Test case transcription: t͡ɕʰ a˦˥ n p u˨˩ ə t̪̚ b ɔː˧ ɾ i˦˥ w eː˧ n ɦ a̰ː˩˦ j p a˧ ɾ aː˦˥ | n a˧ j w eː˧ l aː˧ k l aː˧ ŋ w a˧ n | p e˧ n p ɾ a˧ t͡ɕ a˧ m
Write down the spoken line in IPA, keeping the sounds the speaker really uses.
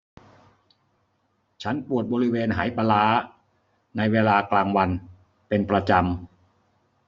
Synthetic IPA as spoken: t͡ɕʰ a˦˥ n p u˨˩ ə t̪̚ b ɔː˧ ɾ i˦˥ w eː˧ n ɦ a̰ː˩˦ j p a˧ l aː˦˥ | n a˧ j w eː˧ l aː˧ k l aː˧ ŋ w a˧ n | p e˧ n p ɾ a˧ t͡ɕ a˧ m